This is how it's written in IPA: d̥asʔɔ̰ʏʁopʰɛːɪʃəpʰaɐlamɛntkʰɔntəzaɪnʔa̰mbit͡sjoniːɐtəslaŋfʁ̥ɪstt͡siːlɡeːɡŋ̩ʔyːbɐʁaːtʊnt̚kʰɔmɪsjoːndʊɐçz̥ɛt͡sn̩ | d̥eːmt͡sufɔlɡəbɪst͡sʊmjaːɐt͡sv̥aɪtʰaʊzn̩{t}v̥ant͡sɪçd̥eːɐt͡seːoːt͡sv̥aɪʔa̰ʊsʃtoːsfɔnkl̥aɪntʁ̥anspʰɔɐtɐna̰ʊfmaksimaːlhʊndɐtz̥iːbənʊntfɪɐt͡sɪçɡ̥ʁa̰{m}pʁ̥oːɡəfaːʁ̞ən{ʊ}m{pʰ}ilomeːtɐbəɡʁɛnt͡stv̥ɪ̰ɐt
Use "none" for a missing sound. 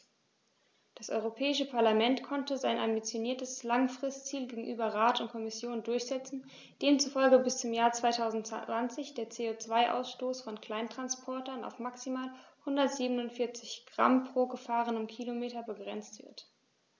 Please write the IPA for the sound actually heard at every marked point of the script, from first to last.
t, m, ʊ, kʰ

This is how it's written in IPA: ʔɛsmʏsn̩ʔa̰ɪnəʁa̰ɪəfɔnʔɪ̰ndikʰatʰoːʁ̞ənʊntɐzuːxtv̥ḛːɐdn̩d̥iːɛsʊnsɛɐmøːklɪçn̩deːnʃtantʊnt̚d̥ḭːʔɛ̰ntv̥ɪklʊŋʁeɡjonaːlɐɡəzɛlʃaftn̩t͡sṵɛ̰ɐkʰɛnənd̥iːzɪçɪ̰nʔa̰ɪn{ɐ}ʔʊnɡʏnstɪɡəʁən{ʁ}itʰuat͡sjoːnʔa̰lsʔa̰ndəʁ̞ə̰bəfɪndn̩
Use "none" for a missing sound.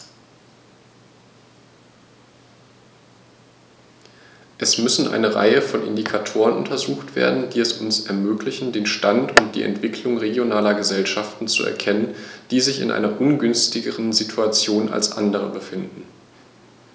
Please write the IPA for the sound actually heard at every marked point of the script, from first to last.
ɐ, z

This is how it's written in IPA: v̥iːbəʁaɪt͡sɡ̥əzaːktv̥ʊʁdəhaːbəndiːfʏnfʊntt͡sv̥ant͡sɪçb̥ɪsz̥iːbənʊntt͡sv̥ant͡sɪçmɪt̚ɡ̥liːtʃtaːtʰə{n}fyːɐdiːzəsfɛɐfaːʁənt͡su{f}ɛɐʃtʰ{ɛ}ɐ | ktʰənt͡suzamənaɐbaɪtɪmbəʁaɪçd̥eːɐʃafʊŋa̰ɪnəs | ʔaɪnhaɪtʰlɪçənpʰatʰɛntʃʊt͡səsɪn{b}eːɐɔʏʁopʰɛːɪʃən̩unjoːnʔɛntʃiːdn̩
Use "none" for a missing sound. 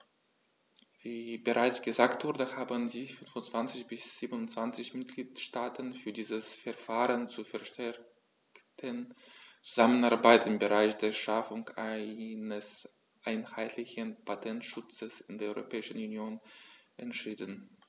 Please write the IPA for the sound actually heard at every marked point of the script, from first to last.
n, f, ɛ, d

